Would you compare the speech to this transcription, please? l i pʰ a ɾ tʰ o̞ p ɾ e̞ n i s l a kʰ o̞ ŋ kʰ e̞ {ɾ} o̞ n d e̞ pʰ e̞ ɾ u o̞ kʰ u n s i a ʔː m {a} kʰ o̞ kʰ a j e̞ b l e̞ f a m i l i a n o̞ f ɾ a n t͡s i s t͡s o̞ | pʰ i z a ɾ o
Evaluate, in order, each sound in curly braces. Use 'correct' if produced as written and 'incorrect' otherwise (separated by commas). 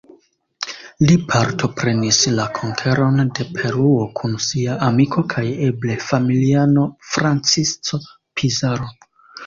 correct, incorrect